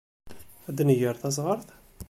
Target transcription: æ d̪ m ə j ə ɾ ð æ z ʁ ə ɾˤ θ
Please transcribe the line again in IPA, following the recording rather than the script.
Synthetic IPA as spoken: æ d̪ n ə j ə ɾ θ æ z ʁ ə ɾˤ θ